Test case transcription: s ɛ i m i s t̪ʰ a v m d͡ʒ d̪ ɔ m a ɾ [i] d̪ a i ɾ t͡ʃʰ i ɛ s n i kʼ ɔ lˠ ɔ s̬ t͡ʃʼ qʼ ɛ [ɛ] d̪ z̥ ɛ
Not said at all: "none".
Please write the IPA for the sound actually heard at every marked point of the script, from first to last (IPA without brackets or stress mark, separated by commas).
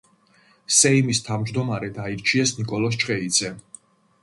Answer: ɛ, i